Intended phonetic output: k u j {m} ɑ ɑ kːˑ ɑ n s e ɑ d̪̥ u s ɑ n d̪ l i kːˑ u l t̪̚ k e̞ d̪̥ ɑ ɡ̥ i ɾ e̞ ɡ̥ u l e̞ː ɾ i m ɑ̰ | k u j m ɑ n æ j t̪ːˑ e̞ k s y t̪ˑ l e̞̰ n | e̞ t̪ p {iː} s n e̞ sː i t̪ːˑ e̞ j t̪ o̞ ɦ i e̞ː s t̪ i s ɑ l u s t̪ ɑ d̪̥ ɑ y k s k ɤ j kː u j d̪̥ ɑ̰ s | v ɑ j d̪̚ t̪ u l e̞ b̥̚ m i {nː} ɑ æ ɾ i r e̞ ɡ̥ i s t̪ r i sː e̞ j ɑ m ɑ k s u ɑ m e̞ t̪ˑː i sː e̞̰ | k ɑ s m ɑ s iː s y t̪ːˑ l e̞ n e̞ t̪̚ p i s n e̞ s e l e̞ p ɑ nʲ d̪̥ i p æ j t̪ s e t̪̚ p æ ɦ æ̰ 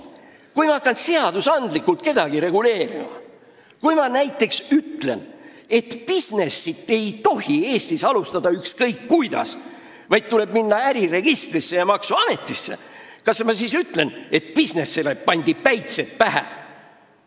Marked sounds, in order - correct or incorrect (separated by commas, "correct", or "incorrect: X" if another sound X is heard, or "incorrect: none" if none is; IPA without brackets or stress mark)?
correct, incorrect: i, correct